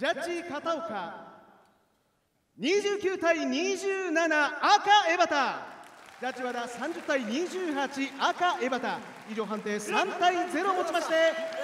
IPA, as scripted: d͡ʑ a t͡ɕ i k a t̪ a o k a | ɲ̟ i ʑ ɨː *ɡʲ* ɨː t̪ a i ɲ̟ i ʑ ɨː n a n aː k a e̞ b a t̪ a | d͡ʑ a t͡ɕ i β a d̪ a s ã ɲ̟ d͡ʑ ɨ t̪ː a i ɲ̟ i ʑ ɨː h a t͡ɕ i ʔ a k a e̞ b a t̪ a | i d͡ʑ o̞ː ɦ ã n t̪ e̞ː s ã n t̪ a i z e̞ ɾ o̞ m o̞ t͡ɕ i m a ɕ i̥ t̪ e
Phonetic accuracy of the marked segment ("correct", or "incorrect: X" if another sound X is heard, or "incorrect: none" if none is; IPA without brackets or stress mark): incorrect: kʲ